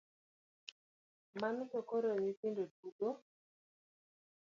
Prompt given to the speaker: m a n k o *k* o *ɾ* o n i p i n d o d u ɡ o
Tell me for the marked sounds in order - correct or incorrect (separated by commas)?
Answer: correct, correct